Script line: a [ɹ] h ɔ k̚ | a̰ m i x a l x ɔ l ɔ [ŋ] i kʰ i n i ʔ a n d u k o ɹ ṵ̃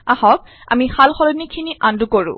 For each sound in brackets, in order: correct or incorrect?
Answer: incorrect, incorrect

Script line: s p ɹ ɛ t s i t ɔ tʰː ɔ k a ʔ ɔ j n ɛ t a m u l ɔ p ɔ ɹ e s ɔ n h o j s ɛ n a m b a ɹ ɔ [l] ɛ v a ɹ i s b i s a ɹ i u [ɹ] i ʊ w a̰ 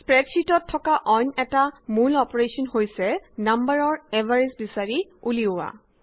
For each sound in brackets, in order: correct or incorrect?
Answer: incorrect, incorrect

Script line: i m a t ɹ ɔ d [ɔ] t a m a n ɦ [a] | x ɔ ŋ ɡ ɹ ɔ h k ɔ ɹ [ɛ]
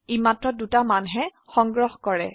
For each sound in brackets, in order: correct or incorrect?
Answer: incorrect, incorrect, correct

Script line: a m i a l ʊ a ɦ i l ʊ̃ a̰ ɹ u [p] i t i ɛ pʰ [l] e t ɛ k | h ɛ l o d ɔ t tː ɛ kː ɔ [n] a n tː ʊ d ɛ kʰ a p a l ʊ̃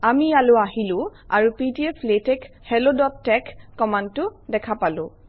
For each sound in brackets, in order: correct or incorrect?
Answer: correct, correct, incorrect

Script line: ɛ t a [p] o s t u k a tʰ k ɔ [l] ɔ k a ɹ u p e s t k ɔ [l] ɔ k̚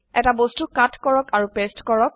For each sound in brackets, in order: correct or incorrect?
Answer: incorrect, incorrect, incorrect

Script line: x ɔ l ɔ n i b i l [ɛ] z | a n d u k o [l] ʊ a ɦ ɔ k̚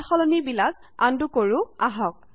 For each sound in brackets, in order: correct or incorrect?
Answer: incorrect, incorrect

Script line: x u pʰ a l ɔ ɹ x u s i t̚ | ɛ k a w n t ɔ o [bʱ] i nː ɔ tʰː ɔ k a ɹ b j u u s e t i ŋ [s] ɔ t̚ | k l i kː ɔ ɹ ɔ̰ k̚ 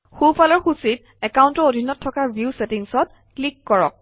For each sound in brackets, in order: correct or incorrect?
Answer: incorrect, correct

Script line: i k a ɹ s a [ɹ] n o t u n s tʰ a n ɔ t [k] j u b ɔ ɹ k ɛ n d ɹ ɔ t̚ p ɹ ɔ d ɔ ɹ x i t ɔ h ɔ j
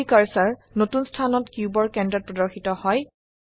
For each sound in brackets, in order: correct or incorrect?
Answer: correct, correct

